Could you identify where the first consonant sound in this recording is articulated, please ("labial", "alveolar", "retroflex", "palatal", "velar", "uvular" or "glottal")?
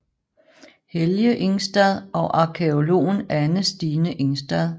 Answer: glottal